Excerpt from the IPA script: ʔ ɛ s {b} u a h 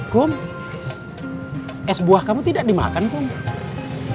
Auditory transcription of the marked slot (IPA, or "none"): b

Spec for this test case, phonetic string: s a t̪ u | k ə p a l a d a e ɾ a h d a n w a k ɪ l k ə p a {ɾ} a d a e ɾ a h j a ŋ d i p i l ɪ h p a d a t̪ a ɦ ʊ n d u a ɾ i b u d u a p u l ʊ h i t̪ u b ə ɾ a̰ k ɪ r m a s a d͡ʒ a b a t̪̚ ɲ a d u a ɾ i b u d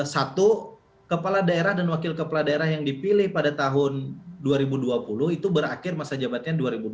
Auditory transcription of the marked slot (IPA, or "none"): l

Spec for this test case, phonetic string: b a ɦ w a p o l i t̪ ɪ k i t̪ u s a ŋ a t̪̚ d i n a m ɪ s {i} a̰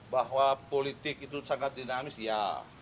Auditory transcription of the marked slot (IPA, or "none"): j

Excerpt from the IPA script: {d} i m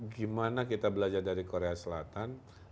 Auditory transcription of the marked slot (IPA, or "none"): ɡ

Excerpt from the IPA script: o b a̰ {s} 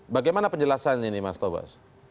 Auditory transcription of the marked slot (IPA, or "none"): s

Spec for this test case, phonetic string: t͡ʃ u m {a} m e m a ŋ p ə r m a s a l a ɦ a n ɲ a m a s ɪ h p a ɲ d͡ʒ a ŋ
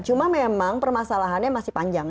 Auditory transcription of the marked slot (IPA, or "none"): a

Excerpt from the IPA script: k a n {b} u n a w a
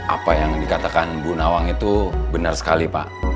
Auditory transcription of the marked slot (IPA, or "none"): b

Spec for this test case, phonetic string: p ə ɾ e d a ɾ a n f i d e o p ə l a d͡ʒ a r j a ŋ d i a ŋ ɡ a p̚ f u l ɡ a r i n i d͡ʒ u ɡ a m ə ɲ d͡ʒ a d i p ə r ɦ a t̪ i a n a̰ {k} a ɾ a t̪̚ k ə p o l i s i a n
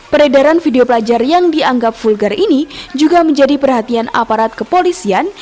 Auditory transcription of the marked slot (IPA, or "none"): p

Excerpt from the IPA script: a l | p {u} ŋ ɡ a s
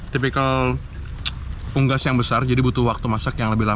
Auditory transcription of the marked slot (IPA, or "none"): u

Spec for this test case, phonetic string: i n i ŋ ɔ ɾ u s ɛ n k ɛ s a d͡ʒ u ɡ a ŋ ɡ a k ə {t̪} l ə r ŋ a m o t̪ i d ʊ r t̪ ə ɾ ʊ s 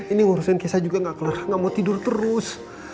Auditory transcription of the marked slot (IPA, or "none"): none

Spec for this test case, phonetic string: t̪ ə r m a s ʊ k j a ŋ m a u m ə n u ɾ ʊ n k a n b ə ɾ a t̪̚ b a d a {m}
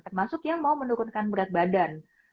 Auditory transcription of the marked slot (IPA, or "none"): n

